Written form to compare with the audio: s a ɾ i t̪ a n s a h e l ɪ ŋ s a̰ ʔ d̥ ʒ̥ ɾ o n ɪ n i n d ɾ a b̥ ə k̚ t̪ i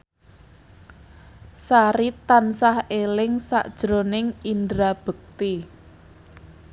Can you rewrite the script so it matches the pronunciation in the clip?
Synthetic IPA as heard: s a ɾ i t̪ a n s a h e l ɪ ŋ s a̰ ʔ d̥ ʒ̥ ɾ o n ɪ ŋ i n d ɾ a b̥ ə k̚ t̪ i